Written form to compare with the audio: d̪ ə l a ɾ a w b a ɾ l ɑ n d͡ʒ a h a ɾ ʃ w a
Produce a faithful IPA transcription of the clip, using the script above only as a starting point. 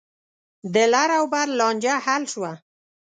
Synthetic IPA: d̪ ə l a ɾ a w b a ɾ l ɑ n d͡ʒ a h a l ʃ w a